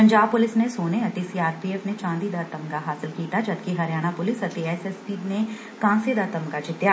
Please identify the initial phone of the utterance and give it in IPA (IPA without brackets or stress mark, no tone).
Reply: p